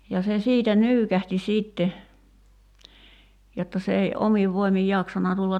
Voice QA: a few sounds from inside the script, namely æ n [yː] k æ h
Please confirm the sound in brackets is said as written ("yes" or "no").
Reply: yes